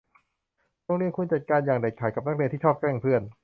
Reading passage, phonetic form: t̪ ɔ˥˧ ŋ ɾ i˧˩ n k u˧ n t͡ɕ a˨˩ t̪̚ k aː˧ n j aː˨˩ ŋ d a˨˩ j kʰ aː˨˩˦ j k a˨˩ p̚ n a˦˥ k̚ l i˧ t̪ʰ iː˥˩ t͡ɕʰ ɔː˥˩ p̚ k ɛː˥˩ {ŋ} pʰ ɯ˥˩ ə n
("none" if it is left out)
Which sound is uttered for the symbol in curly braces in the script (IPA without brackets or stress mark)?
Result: ŋ